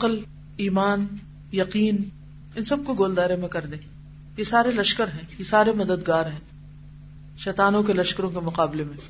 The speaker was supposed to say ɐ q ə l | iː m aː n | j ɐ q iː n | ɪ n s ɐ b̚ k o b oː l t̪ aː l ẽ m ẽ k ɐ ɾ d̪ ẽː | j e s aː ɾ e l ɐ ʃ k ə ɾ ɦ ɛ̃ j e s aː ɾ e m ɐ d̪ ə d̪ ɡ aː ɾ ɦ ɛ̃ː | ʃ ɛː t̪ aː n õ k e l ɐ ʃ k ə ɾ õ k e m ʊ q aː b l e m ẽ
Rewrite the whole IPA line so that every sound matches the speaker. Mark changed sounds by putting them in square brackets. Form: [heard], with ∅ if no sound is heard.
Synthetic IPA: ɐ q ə l | iː m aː n | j ɐ q iː n | ɪ n s ɐ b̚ k o [ɡ] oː l [d̪] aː [ɾ] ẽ m ẽ k ɐ ɾ d̪ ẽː | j e s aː ɾ e l ɐ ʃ k ə ɾ ɦ ɛ̃ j e s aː ɾ e m ɐ d̪ ə d̪ ɡ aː ɾ ɦ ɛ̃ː | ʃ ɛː t̪ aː n õ k e l ɐ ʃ k ə ɾ õ k e m ʊ q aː b l e m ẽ